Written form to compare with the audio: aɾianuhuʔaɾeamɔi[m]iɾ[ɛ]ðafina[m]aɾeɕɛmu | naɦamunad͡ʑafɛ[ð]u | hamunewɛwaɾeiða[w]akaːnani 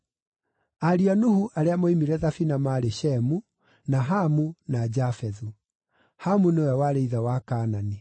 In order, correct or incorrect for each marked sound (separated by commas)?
correct, correct, correct, correct, correct